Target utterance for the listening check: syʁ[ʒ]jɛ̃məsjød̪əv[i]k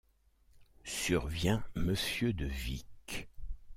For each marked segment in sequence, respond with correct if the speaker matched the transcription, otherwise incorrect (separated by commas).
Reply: incorrect, correct